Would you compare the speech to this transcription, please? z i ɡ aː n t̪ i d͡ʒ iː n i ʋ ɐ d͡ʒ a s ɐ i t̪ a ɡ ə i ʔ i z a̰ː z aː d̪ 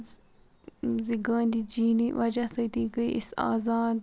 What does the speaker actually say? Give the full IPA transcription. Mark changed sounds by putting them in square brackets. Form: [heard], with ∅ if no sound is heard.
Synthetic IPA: z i ɡ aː n [d̪] i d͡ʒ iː n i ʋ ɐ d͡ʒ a s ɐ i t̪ [i] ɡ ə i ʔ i [s] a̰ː z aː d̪